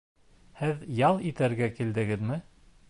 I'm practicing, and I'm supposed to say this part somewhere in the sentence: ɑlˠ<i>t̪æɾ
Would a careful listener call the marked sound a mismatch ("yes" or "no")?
no